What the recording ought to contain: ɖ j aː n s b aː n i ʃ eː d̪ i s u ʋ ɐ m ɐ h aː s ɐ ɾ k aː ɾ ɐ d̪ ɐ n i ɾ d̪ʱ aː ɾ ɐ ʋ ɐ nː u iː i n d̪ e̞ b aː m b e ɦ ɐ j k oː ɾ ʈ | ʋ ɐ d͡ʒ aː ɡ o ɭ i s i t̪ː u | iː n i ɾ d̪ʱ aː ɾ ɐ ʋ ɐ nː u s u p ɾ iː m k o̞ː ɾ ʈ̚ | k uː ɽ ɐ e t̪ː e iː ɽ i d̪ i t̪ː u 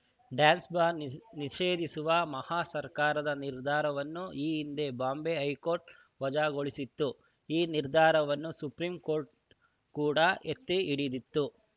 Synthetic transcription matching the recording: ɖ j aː n s b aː n i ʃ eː d̪ i s u ʋ ɐ m ɐ h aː s ɐ ɾ k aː ɾ ɐ d̪ ɐ n i ɾ d̪ʱ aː ɾ ɐ ʋ ɐ nː u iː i n d̪ e̞ b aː m b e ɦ ɐ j k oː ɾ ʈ | ʋ ɐ d͡ʒ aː ɡ o ɭ i s i t̪ː u | iː n i ɾ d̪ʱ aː ɾ ɐ ʋ ɐ nː u s u p ɾ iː m k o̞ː ɾ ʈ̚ | k uː ɽ ɐ e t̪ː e i ɽ i d̪ i t̪ː u